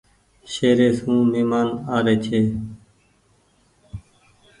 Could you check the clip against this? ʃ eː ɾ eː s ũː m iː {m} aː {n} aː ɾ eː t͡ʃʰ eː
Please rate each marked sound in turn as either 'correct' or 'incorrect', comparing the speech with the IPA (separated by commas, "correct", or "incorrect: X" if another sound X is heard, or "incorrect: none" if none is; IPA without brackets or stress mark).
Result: correct, correct